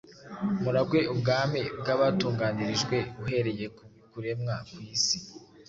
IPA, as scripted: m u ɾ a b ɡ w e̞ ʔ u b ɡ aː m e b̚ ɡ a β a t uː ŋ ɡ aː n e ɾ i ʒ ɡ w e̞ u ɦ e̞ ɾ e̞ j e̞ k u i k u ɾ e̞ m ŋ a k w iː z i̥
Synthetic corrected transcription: m u ɾ a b ɡ w e̞ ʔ u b ɡ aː m e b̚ ɡ a β a t uː ŋ ɡ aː n i ɾ i ʒ ɡ w e̞ u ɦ e̞ ɾ e̞ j e̞ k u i k u ɾ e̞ m ŋ a k w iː s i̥